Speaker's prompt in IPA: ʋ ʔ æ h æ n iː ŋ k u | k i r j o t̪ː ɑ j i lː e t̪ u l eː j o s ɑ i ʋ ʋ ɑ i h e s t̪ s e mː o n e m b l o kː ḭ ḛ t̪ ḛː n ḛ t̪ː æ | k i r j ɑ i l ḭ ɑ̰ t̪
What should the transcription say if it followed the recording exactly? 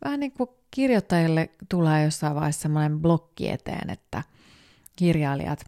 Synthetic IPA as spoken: ʋ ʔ æ h æ n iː ŋ k u | k i r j o t̪ː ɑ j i lː e t̪ u l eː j o sː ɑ i ʋ ʋ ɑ i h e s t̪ s e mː o n e m b l o kː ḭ ḛ t̪ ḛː n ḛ t̪ː æ | k i r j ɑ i l ḭ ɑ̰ t̪